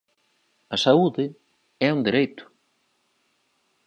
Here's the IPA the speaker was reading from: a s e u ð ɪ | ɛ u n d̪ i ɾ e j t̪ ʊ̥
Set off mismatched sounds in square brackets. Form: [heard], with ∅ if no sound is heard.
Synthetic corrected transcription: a s [a] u ð ɪ | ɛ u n d̪ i ɾ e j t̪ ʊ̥